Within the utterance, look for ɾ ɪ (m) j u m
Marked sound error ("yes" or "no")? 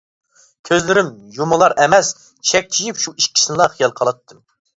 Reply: no